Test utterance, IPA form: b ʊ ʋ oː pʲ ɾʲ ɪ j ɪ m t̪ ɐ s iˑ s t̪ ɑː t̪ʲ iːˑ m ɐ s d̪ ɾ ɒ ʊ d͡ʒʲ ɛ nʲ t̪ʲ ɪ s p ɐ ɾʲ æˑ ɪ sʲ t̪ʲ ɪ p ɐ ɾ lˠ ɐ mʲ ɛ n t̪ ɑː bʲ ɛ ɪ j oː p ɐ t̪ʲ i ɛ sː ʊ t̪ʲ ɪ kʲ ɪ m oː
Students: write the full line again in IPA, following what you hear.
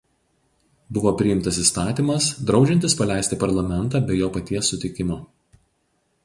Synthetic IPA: b ʊ ʋ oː pʲ ɾʲ ɪ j ɪ m t̪ ɐ s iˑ s t̪ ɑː t̪ʲ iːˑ m ɐ s d̪ ɾ ɒ ʊ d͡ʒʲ ɛ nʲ t̪ʲ ɪ s p ɐ lʲ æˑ ɪ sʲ t̪ʲ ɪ p ɐ ɾ lˠ ɐ mʲ ɛ n t̪ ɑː bʲ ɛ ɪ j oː p ɐ t̪ʲ i ɛ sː ʊ t̪ʲ ɪ kʲ ɪ m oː